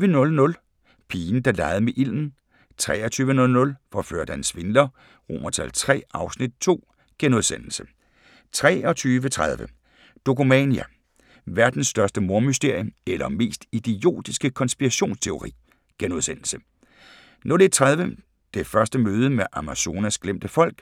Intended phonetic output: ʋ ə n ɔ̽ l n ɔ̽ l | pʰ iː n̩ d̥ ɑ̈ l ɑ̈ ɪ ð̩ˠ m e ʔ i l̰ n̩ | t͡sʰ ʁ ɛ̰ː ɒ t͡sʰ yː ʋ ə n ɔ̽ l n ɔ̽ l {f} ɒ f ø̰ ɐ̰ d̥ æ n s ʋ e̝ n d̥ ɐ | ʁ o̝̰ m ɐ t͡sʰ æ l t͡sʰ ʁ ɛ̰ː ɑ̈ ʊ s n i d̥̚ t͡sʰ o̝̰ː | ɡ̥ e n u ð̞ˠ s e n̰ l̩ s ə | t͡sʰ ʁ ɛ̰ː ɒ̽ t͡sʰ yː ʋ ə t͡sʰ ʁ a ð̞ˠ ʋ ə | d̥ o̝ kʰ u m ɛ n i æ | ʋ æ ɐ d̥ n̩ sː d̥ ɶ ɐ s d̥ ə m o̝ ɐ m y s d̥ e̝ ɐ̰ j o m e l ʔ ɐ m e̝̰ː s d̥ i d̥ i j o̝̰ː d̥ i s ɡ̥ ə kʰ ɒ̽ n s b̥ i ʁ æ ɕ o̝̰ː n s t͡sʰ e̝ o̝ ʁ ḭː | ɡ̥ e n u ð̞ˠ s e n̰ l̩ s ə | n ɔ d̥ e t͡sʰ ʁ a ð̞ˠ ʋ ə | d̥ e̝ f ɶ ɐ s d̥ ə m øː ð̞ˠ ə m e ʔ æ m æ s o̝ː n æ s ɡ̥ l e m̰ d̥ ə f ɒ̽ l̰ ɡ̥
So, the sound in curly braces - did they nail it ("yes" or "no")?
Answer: yes